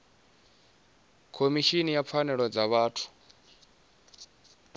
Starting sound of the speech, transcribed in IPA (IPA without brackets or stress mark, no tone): kʰ